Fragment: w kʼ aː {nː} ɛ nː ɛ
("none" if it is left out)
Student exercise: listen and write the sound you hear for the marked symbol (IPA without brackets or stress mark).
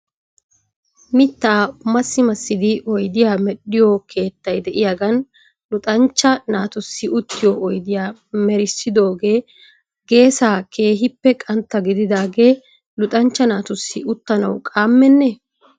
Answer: mː